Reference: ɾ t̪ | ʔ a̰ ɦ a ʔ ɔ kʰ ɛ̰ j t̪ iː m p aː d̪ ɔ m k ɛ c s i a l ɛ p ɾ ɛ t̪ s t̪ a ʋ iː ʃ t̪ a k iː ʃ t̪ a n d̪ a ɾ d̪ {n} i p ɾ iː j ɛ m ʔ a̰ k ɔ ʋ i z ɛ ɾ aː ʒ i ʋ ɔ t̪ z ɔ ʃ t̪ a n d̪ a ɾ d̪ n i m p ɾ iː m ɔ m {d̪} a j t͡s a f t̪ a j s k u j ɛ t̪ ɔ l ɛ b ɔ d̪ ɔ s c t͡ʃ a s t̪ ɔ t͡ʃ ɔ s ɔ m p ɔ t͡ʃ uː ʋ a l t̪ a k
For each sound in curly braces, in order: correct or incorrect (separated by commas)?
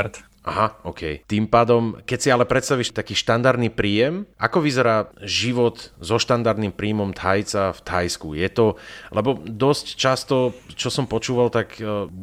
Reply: correct, incorrect